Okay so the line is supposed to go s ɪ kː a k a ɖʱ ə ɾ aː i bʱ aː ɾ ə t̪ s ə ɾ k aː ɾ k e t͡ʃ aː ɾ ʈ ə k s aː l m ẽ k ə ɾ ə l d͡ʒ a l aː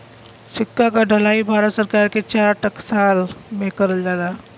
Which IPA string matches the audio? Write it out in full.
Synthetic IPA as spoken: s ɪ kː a k a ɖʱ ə l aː i bʱ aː ɾ ə t̪ s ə ɾ k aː ɾ k e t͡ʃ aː ɾ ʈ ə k s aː l m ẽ k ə ɾ ə l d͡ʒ a l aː